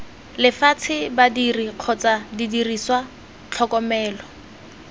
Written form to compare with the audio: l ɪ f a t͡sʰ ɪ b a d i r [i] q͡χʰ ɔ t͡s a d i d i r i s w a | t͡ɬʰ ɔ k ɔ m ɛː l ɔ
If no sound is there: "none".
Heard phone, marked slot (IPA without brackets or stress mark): i